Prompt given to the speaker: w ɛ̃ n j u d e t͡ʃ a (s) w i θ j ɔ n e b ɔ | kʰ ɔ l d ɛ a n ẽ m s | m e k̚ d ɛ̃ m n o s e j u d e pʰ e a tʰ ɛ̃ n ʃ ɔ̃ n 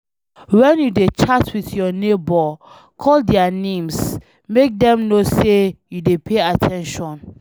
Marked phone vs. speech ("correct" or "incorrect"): incorrect